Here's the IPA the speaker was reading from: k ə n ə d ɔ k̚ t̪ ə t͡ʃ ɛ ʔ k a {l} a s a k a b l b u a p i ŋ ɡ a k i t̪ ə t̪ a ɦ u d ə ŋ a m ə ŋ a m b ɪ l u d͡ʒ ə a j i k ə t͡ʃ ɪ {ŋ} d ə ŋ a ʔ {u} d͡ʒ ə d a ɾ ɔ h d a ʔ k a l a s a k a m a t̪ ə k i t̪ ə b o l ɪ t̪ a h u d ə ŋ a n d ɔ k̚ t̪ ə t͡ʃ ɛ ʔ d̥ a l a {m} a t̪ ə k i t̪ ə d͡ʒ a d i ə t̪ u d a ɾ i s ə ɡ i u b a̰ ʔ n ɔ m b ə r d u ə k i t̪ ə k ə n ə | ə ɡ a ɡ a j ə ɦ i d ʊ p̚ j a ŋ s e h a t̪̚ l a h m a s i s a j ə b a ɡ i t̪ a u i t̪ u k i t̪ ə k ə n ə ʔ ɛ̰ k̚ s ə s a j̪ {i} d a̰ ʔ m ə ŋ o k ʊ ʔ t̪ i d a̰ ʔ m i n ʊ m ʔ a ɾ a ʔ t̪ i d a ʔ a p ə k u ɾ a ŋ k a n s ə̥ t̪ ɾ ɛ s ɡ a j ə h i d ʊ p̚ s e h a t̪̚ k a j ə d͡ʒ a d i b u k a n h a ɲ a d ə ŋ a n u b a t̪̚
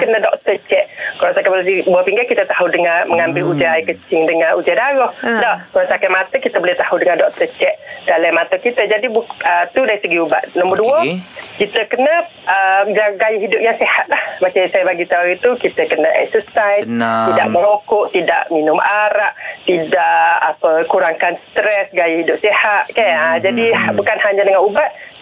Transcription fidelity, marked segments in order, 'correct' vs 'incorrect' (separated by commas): correct, correct, correct, correct, correct